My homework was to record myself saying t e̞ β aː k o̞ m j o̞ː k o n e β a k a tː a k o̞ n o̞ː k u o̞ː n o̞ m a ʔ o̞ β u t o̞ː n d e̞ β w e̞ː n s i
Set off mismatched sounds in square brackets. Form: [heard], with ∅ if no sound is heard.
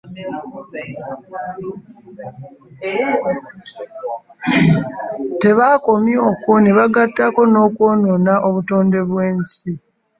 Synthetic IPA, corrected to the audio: t e̞ β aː k o̞ m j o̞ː k o n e β a [ɡ] a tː a k o̞ n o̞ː k [w] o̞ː n o̞ [n] a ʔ o̞ β u t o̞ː n d e̞ β w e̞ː n s i